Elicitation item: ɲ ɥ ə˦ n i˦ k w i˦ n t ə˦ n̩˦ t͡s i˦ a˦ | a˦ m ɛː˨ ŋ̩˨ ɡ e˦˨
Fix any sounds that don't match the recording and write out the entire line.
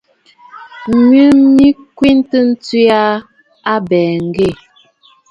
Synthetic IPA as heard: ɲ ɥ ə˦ m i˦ k w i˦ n t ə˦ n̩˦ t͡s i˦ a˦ | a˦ b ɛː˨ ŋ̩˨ ɡ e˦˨